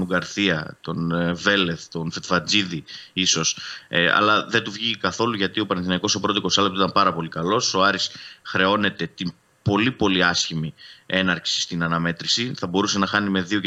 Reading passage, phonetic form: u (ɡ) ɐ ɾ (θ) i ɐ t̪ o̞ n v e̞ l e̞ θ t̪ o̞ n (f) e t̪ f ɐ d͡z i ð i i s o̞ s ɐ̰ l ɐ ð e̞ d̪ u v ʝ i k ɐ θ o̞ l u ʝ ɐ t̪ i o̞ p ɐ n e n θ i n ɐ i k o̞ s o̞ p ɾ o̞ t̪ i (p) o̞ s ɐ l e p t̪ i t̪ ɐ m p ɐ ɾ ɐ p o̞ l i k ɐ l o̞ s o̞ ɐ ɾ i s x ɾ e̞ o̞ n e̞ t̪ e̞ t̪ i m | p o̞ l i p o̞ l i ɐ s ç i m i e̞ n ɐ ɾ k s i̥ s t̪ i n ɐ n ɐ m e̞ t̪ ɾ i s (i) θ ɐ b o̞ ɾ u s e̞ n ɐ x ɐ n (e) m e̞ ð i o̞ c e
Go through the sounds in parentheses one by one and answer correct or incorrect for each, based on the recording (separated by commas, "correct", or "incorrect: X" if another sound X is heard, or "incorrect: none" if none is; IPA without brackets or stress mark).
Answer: correct, correct, correct, incorrect: k, correct, incorrect: i